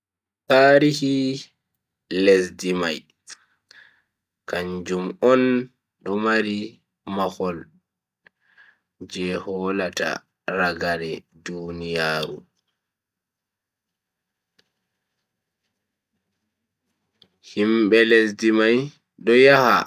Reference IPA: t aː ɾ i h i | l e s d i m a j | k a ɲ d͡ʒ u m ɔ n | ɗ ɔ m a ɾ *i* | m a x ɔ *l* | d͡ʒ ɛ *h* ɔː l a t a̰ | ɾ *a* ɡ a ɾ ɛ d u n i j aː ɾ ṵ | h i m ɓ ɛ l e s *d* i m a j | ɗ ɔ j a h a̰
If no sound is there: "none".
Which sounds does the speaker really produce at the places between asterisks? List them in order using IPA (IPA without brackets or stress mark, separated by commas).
i, l, h, a, d